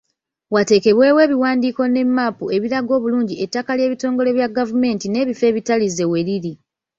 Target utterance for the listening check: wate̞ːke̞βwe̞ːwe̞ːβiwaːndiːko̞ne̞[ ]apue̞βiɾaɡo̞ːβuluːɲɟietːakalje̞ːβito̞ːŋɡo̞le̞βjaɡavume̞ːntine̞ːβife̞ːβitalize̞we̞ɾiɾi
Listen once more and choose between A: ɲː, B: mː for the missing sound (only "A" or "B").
B